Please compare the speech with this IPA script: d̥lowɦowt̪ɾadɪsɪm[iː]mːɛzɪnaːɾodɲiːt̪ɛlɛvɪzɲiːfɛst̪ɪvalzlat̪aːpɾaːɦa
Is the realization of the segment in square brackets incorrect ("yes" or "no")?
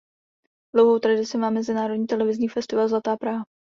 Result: yes